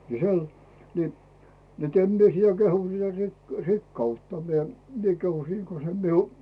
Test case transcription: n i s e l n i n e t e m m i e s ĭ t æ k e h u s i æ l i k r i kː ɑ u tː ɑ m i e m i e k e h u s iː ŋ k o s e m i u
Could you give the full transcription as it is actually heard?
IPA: n i s e l n i n e t e m m i e s ĭ t æ k e h u s i æ r i k r i kː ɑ u tː ɑ m i e m i e k e h u s iː ŋ k o s e m i u